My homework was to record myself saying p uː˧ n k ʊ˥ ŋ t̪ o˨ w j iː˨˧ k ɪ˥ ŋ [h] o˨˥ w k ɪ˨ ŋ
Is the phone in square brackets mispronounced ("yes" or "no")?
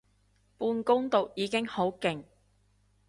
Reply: no